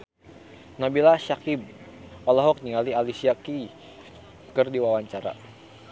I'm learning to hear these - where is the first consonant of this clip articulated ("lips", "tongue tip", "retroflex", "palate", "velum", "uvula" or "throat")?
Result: tongue tip